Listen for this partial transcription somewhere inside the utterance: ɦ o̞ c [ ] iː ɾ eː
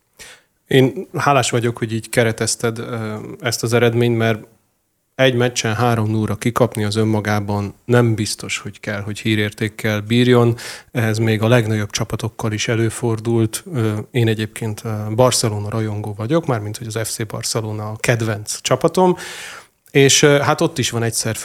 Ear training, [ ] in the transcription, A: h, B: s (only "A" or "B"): A